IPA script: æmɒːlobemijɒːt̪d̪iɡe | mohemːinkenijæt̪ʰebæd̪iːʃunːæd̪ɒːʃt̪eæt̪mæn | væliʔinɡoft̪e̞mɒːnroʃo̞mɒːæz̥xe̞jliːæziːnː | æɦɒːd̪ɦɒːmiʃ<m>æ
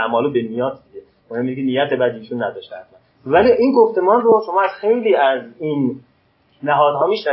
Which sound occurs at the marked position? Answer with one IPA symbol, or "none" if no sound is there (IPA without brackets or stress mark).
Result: n